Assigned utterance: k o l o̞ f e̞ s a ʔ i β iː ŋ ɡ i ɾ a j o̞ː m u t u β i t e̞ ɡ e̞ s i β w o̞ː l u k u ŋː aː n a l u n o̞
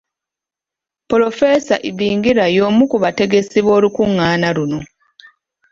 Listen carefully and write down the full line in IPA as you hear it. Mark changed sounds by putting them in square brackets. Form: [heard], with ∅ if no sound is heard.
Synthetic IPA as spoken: [p] o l o̞ f e̞ s a ʔ i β iː ŋ ɡ i ɾ a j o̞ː m u [k] u β [a] t e̞ ɡ e̞ s i β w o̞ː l u k u ŋː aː n a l u n o̞